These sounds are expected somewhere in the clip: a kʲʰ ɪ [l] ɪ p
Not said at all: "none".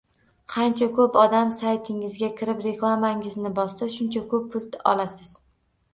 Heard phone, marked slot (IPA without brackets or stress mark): ɾ